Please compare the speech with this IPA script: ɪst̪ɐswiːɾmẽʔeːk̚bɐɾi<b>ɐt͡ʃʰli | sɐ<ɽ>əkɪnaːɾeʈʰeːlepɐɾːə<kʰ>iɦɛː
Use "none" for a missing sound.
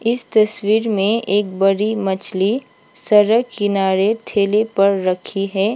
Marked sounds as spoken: m, ɾ, kʰ

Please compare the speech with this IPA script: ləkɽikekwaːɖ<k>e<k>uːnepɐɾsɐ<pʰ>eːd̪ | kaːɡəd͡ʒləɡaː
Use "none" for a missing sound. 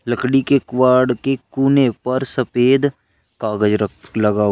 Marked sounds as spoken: k, k, p

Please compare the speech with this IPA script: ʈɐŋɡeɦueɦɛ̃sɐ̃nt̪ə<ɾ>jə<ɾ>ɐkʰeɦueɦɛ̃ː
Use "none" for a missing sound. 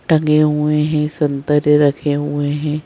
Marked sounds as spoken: ɾ, ɾ

